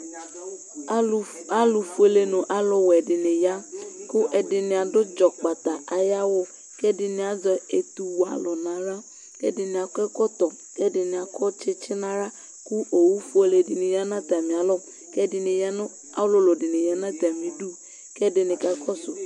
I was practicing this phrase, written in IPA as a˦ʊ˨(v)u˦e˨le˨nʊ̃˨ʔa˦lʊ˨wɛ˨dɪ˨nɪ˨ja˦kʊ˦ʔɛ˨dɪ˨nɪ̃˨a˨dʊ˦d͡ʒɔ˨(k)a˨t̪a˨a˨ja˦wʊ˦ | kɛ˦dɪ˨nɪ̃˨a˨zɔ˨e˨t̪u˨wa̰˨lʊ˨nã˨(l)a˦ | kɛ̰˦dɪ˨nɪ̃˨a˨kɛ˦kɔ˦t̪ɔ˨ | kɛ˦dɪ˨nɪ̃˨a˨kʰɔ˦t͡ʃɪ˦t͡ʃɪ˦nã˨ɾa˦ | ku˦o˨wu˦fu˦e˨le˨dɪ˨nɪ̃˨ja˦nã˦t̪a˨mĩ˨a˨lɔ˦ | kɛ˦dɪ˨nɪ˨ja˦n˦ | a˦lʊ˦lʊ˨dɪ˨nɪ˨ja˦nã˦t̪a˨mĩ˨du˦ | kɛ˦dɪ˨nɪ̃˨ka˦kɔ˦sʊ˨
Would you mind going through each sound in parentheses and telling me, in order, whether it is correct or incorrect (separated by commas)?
incorrect, incorrect, incorrect